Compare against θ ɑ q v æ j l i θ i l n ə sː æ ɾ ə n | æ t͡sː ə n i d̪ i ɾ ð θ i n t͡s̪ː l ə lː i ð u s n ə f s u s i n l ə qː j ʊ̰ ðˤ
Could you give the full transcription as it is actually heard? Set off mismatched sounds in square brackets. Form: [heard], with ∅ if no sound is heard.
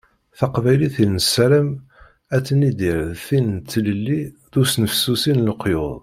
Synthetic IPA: θ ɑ q v æ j l i θ i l n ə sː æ ɾ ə [m] | æ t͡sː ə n i d̪ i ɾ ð θ i n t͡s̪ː l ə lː i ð u s n ə f s u s i n l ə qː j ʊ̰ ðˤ